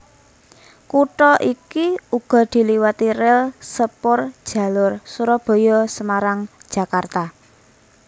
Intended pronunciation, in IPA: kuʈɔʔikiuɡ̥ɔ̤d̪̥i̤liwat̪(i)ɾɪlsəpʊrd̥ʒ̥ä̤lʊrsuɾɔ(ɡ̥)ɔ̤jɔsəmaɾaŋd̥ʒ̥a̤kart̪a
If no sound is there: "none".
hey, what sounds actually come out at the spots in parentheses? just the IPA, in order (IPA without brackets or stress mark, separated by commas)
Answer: i, b̥